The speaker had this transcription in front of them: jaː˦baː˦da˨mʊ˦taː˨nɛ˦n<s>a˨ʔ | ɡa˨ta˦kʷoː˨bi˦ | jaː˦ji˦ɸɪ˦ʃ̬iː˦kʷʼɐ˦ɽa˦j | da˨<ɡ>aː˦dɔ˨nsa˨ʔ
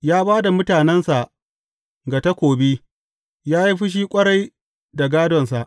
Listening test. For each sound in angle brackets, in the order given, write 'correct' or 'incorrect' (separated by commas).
correct, correct